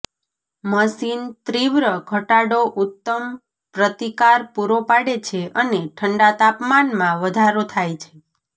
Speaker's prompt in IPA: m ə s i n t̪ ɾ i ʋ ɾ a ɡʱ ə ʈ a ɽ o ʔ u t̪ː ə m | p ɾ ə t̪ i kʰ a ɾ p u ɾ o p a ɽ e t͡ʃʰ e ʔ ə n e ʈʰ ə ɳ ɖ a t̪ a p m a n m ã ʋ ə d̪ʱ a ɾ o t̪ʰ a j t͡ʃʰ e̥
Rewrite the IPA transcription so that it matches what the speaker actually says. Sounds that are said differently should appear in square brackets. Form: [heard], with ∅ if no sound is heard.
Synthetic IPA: m ə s i n t̪ ɾ i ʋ ɾ [ə] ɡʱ ə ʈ a ɽ o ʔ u t̪ː ə m | p ɾ ə t̪ i [k] a ɾ p u ɾ o p a ɽ e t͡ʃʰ e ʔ ə n e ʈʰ ə ɳ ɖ a t̪ a p m a n m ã ʋ ə d̪ʱ a ɾ o t̪ʰ a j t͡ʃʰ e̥